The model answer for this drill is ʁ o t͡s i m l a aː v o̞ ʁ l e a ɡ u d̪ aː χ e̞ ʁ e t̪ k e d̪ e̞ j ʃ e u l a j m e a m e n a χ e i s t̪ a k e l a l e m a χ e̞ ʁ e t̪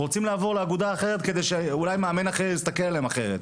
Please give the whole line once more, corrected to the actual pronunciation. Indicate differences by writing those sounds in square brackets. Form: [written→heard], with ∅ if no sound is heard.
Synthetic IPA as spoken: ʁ o t͡s i m l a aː v o̞ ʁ l e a ɡ u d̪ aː χ e̞ ʁ e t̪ k e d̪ e̞ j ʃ e u l a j m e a m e n a χ e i s t̪ a k e l a l e m a χ e̞ ʁ e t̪